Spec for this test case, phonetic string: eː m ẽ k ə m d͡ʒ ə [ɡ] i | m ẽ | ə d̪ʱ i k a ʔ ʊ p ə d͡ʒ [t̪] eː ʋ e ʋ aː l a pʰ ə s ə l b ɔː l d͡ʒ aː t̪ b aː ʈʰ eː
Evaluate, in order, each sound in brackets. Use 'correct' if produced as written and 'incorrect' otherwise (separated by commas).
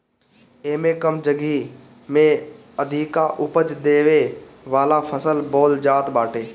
correct, incorrect